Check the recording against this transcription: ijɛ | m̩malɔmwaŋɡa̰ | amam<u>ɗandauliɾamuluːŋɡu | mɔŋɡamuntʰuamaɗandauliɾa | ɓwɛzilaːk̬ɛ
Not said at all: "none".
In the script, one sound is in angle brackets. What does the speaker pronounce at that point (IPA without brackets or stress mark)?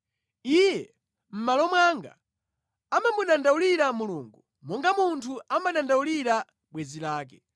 u